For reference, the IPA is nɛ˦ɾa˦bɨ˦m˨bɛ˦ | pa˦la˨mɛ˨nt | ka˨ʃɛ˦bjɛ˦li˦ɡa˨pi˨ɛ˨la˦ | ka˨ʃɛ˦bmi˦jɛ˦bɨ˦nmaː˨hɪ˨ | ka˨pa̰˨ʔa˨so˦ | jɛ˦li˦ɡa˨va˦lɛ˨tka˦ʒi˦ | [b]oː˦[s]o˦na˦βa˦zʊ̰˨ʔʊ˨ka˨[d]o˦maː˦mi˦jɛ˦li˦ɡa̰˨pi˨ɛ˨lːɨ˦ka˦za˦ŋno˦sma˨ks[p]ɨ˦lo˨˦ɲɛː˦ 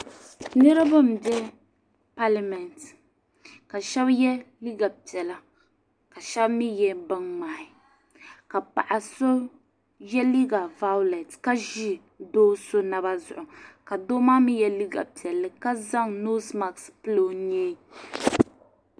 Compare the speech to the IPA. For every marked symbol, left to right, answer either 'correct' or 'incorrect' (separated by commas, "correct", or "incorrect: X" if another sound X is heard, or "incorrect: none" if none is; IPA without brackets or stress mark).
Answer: incorrect: d, correct, correct, correct